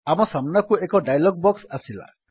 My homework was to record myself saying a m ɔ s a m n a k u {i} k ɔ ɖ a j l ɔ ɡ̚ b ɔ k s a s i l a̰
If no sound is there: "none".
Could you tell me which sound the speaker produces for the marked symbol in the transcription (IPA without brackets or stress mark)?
e